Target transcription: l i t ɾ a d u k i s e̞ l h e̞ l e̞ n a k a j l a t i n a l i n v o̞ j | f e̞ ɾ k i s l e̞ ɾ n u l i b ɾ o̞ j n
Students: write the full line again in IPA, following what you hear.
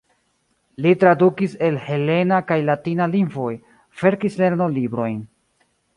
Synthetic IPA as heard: l i t ɾ a d u k i s e̞ l h e̞ l e̞ n a k a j l a t i n a l i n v o̞ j | f e̞ ɾ k i s l e̞ ɾ n o l i b ɾ o̞ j n

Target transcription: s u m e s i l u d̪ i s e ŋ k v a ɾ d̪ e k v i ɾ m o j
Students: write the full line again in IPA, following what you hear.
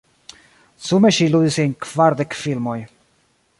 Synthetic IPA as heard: s u m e ʃ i l u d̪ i s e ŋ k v a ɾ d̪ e k f i l m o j

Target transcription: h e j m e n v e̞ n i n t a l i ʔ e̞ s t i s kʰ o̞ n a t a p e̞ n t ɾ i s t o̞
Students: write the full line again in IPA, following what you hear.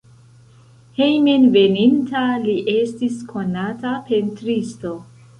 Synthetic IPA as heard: h e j m e n v e̞ n i n t a l i ʔ e̞ s t i s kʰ o̞ n a t a p e̞ n t ɾ i s t o̞

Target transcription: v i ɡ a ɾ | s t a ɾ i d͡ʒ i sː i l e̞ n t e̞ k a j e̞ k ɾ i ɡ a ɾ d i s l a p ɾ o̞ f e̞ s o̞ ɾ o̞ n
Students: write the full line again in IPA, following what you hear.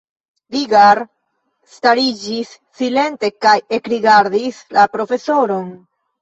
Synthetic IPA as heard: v i ɡ a ɾ | s t a ɾ i d͡ʒ i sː i l e̞ n t e̞ k a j e̞ k ɾ i ɡ a ɾ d i s l a p ɾ o̞ f e̞ s o̞ ɾ o̞ n

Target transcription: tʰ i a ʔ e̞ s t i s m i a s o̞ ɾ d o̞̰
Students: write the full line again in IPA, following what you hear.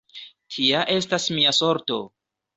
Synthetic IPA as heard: tʰ i a ʔ e̞ s t a s m i a s o̞ ɾ t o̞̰

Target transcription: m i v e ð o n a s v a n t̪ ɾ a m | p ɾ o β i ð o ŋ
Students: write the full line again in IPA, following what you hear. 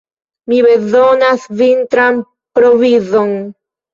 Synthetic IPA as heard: m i β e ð o n a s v i n t̪ ɾ a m | p ɾ o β i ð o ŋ

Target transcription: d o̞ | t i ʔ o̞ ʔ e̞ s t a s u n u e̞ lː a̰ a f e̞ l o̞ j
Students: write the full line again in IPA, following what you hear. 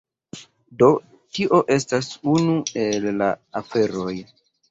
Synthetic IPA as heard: d o̞ | t i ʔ o̞ ʔ e̞ s t a s u n u e̞ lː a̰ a f e̞ ɾ o̞ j

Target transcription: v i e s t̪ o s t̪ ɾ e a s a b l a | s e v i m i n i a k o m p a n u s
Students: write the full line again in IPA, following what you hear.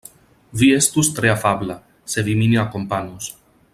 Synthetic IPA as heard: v i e s t̪ u s t̪ ɾ e a f a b l a | s e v i m i n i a k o m p a n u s

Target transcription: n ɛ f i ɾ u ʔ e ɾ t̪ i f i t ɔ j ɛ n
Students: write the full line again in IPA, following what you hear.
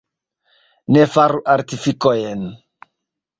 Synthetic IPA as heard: n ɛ f a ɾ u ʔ a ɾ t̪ i f i k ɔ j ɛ n

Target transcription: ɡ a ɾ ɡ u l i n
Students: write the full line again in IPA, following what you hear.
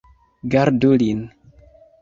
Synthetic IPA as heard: ɡ a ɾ d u l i n

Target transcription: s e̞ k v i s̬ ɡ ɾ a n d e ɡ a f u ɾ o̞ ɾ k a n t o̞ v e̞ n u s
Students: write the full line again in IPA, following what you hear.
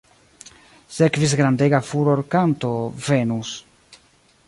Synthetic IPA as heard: s e̞ k v i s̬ ɡ ɾ a n d e ɡ a f u ɾ o̞ ɾ k a n t o̞ v e̞ n u s

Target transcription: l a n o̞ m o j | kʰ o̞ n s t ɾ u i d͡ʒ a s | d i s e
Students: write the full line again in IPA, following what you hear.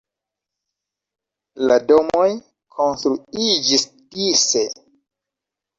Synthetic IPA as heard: l a d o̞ m o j | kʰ o̞ n s t ɾ u i d͡ʒ i s | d i s e

